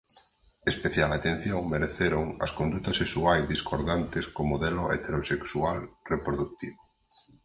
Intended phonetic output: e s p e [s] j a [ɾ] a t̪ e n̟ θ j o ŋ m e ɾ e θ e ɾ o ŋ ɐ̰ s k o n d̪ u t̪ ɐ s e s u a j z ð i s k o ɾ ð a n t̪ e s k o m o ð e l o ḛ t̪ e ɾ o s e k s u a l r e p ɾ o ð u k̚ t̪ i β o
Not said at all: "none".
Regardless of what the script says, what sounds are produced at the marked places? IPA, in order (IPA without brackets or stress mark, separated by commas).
θ, l